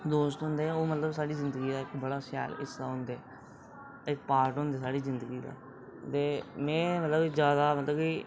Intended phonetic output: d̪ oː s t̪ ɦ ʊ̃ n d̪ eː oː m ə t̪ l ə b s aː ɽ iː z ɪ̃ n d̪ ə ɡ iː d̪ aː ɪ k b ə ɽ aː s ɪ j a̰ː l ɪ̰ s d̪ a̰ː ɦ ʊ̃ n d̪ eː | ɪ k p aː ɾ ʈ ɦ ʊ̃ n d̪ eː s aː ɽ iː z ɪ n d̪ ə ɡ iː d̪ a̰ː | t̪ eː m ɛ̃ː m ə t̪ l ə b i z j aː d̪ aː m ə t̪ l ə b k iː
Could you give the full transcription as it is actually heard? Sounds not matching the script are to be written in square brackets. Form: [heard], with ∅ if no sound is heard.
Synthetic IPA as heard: d̪ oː s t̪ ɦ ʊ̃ n d̪ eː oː m ə t̪ l ə b s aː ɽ iː z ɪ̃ n d̪ ə ɡ iː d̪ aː ɪ k b ə ɽ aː s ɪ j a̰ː l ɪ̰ s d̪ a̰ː ɦ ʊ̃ n d̪ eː | ɪ k p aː ɾ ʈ ɦ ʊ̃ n d̪ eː s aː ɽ iː z ɪ n d̪ ə ɡ iː d̪ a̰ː | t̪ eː m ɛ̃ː m ə t̪ l ə b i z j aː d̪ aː m ə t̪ l ə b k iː